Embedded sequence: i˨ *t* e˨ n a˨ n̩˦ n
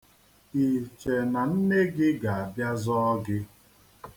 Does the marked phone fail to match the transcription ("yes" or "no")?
yes